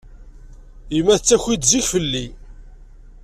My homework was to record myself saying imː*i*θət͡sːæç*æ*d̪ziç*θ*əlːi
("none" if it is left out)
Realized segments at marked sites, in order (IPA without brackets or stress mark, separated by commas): æ, i, f